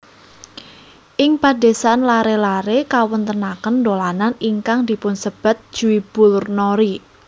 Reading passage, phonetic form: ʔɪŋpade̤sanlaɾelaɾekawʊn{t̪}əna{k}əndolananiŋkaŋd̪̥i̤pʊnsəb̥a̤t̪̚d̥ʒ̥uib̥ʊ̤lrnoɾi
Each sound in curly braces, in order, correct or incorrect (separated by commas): correct, correct